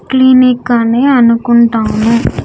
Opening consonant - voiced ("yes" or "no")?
no